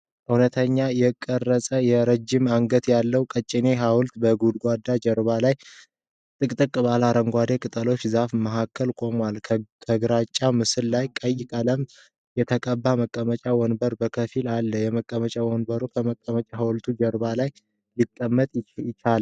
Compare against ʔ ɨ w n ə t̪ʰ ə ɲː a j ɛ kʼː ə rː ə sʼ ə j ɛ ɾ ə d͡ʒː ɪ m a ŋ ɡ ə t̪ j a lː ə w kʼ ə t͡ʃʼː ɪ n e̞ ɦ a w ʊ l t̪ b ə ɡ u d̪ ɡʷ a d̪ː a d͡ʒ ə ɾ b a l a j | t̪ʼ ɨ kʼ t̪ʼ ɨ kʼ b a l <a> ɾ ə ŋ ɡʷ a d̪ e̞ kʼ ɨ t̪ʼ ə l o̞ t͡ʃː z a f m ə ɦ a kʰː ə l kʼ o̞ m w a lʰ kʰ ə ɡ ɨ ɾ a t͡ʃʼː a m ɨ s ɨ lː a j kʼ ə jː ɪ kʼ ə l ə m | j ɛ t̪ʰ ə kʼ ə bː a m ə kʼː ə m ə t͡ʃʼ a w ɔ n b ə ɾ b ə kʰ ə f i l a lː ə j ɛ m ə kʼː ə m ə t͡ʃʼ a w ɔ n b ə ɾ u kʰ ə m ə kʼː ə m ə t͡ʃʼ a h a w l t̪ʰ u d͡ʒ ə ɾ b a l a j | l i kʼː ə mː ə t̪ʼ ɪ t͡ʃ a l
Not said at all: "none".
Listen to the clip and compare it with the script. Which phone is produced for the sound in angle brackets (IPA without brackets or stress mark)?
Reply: a